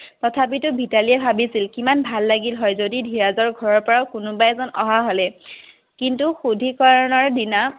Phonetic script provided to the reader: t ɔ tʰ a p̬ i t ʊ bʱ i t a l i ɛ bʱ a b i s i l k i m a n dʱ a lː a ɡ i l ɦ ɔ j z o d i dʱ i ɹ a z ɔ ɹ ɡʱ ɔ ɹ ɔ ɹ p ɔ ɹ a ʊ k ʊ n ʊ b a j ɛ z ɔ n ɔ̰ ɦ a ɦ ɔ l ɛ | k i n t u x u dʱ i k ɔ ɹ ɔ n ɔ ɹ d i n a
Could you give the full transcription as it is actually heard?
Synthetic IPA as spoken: t ɔ tʰ a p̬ i t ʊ bʱ i t a l i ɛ bʱ a b i s i l k i m a n bʱ a lː a ɡ i l ɦ ɔ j z o d i dʱ i ɹ a z ɔ ɹ ɡʱ ɔ ɹ ɔ ɹ p ɔ ɹ a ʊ k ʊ n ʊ b a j ɛ z ɔ n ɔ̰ ɦ a ɦ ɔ l ɛ | k i n t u x u dʱ i k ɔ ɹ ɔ n ɔ ɹ d i n a

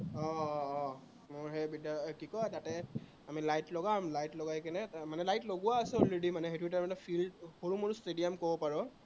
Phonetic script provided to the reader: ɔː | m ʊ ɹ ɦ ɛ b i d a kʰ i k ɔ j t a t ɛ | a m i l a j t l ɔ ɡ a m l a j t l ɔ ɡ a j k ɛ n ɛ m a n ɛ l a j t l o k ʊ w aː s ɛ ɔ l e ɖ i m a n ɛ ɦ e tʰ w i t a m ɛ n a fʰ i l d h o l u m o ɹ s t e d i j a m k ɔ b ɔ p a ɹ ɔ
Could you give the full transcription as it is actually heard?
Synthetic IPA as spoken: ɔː | m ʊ ɹ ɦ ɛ b i d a k i k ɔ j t a t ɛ | a m i l a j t l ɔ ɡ a m l a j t l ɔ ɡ a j k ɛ n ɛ m a n ɛ l a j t l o ɡ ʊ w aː s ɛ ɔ l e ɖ i m a n ɛ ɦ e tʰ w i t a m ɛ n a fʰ i l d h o ɹ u m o ɹ s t e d i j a m k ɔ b ɔ p a ɹ ɔ

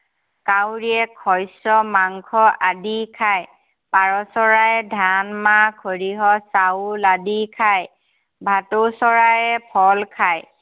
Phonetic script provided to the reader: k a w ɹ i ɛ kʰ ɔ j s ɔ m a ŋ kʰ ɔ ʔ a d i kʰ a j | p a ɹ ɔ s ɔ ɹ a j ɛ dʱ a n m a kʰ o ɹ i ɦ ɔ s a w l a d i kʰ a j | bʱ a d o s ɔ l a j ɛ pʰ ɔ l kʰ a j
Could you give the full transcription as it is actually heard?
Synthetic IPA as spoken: k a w ɹ i ɛ kʰ ɔ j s ɔ m a ŋ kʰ ɔ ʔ a d i kʰ a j | p a ɹ ɔ s ɔ ɹ a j ɛ dʱ a n m a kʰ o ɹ i ɦ ɔ s a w l a d i kʰ a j | bʱ a t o s ɔ ɹ a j ɛ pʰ ɔ l kʰ a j

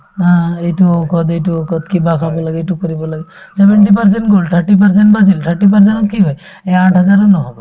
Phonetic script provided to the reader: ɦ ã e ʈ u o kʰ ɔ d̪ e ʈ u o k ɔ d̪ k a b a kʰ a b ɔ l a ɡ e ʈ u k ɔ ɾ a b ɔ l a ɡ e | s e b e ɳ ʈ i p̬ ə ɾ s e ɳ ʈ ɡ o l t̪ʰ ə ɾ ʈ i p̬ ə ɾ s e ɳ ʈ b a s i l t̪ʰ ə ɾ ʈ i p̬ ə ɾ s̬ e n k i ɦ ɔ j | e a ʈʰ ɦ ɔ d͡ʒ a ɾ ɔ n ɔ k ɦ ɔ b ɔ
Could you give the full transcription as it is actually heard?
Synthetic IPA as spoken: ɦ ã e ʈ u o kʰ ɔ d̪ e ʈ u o k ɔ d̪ k i b a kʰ a b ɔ l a ɡ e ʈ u k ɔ ɾ i b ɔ l a ɡ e | s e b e ɳ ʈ i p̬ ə ɾ s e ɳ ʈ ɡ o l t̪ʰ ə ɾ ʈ i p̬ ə ɾ s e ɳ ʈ b a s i l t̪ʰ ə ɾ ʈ i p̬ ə ɾ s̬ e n k i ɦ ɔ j | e a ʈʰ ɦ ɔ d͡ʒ a ɾ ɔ n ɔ ɦ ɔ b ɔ

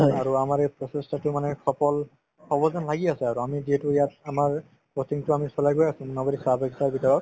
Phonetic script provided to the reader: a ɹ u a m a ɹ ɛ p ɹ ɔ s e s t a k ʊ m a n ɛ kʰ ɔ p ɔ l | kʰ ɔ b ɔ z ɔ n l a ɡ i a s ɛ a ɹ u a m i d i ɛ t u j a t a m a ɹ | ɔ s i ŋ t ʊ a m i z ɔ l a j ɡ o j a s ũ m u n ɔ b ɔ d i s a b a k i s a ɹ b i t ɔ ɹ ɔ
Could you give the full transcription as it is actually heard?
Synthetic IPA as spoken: a ɹ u a m a ɹ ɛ p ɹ ɔ s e s t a t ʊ m a n ɛ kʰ ɔ p ɔ l | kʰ ɔ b ɔ z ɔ n l a ɡ i a s ɛ a ɹ u a m i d i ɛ t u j a t a m a ɹ | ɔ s i ŋ t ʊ a m i s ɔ l a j ɡ o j a s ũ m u n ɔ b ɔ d i s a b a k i s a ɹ b i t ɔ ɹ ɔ

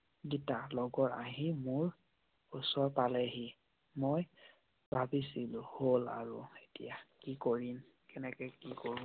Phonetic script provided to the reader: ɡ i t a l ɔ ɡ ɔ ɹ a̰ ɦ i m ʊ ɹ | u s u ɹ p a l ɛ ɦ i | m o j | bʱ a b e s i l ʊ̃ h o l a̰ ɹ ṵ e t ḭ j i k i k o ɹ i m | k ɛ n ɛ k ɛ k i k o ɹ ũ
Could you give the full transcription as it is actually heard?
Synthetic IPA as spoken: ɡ i t a l ɔ ɡ ɔ ɹ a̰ ɦ i m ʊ ɹ | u s ɔ ɹ p a l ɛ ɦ i | m o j | bʱ a b i s i l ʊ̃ h o l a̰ ɹ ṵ e t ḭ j a k i k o ɹ i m | k ɛ n ɛ k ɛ k i k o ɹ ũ

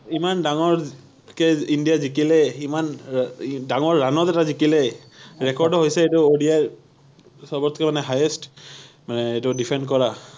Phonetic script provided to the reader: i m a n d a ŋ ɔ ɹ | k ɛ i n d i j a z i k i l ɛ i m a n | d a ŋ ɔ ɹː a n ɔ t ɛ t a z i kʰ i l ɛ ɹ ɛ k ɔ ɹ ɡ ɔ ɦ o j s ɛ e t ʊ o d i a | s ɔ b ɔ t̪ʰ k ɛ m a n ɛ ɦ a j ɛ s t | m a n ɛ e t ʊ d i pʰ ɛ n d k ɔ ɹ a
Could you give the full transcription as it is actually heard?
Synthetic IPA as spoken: i m a n d a ŋ ɔ ɹ | k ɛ i n d i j a z i k i l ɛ i m a n | d a ŋ ɔ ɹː a n ɔ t ɛ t a z i k i l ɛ ɹ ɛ k ɔ ɹ d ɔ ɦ o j s ɛ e t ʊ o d i a | s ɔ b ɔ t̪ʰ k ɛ m a n ɛ ɦ a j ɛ s t | m a n ɛ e t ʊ d i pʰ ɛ n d k ɔ ɹ a

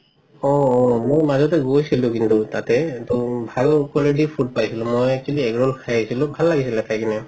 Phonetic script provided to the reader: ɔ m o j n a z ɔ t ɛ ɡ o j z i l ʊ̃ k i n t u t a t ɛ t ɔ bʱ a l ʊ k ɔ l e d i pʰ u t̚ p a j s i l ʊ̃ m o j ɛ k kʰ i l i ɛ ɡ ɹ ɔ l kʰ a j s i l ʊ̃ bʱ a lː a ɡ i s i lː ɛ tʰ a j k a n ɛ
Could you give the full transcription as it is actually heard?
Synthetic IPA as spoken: ɔ m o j m a z ɔ t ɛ ɡ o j s i l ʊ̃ k i n t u t a t ɛ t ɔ bʱ a l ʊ k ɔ l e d i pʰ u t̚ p a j s i l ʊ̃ m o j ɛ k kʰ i l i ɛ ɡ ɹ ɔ l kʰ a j s i l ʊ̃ bʱ a lː a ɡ i s i l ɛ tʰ a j k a n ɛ

